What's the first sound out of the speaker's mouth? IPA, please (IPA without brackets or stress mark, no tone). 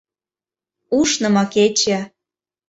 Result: u